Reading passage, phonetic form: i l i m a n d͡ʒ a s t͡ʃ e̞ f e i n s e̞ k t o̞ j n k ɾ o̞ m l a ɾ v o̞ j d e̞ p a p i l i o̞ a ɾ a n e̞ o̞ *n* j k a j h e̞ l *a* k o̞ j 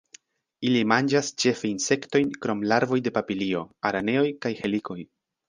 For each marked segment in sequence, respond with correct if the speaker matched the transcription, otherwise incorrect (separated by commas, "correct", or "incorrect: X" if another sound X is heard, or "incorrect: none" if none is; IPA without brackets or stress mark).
incorrect: none, incorrect: i